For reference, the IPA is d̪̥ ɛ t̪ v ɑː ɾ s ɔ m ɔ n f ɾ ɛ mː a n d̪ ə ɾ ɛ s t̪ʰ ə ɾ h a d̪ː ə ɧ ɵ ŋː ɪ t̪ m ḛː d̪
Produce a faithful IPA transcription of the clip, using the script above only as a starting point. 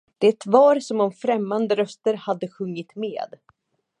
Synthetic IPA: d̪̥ ɛ t̪ v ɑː ɾ s ɔ m ɔ m f ɾ ɛ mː a n d̪ ə ɾ œ s t̪ ə ɾ h a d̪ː ə ɧ ɵ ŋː ɪ t̪ m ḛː d̪